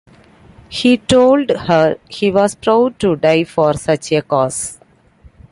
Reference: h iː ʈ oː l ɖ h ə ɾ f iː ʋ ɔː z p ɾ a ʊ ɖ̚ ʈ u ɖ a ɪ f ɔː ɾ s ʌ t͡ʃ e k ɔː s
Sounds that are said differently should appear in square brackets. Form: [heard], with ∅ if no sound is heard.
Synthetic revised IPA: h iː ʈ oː l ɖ h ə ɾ [h] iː ʋ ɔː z p ɾ a ʊ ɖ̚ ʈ u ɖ a ɪ f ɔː ɾ s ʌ t͡ʃ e k ɔː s